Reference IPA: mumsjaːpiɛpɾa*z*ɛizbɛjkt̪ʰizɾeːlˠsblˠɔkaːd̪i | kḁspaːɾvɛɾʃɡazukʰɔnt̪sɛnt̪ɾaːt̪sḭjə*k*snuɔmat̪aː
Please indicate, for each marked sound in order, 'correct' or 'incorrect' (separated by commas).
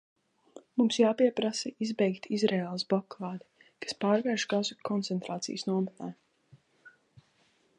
incorrect, incorrect